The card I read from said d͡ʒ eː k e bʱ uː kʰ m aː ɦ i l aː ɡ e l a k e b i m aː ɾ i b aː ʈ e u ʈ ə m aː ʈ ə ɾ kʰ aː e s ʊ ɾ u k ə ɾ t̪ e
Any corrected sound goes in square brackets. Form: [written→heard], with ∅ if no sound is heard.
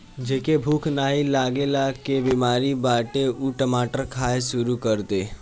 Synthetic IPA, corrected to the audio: d͡ʒ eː k e bʱ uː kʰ [m→n] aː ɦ i l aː ɡ e l a k e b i m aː ɾ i b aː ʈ e u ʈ ə m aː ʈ ə ɾ kʰ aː e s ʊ ɾ u k ə ɾ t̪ e